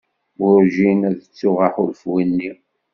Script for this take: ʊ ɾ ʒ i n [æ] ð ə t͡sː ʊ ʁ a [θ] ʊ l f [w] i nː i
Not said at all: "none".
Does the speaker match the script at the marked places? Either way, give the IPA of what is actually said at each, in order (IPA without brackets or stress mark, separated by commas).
æ, ħ, w